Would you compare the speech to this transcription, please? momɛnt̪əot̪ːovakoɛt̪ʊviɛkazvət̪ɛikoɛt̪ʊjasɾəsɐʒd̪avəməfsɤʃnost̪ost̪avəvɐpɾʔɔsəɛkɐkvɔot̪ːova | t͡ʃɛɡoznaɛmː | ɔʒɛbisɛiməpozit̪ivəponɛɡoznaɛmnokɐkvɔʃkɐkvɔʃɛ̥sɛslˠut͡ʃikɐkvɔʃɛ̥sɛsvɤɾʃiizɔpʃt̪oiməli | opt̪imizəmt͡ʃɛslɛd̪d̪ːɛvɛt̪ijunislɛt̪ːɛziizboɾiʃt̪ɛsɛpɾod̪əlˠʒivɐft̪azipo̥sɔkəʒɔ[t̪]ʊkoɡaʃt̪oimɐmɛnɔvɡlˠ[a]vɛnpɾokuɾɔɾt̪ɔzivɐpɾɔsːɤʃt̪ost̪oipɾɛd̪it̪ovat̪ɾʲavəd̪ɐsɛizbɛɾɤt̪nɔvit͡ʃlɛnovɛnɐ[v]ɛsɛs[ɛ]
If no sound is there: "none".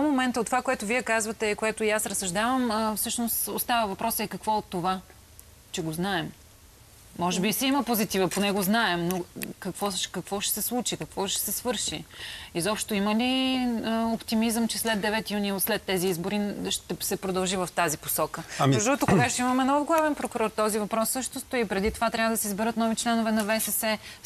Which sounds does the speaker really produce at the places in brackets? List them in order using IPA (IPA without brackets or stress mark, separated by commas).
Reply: t̪, a, v, ɛ